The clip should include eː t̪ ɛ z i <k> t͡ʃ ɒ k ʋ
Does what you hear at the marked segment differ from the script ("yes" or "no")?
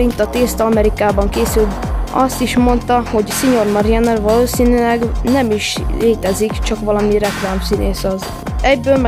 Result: no